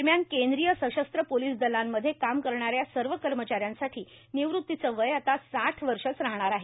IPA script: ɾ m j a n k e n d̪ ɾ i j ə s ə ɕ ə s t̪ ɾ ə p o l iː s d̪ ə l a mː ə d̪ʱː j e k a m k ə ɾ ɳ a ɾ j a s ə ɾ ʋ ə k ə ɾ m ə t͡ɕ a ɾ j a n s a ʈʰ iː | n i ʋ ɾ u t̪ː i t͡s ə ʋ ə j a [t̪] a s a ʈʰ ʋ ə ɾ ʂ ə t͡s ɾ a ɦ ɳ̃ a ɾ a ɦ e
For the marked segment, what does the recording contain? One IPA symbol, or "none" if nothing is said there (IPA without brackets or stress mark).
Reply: t̪